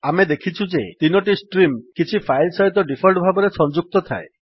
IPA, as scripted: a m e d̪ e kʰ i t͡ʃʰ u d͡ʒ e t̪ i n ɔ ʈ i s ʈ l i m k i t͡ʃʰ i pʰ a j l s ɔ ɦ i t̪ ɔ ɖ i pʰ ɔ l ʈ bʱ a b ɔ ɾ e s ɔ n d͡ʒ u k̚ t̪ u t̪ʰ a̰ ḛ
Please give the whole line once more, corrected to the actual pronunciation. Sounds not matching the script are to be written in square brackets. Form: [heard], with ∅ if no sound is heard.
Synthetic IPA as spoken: a m e d̪ e kʰ i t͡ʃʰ u d͡ʒ e t̪ i n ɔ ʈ i s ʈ [ɾ] i m k i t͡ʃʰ i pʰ a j l s ɔ ɦ i t̪ ɔ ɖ i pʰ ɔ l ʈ bʱ a b ɔ ɾ e s ɔ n d͡ʒ u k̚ t̪ [ɔ] t̪ʰ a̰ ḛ